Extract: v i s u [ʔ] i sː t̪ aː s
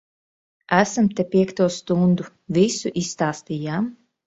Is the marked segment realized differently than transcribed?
no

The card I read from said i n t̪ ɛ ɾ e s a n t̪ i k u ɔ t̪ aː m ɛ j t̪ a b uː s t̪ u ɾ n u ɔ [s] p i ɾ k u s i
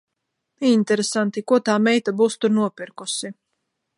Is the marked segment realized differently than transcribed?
yes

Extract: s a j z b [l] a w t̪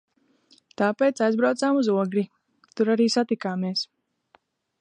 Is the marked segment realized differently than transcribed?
yes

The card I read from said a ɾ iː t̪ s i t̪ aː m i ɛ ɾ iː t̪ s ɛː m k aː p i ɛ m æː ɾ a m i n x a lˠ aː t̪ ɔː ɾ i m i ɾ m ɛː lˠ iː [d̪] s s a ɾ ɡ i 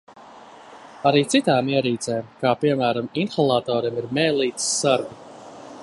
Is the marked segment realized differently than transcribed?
yes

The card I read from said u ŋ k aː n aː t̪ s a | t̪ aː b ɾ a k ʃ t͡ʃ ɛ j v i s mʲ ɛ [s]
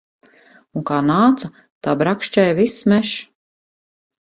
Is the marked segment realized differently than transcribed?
yes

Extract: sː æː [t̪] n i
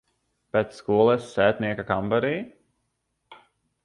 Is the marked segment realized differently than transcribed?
no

